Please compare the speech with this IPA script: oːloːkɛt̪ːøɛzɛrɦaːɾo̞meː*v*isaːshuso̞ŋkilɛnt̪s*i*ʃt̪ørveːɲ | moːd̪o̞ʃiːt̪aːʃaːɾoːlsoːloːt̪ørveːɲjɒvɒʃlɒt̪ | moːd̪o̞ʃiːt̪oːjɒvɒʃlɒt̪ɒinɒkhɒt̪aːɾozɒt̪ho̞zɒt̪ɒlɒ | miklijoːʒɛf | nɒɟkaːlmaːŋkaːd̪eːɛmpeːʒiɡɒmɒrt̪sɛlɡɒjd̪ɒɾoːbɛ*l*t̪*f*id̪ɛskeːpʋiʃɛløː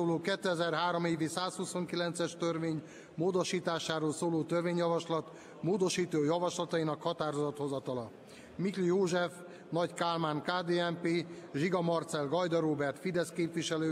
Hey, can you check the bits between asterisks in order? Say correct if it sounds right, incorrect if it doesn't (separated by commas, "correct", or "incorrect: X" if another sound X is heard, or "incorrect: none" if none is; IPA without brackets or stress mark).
correct, incorrect: ɛ, incorrect: r, correct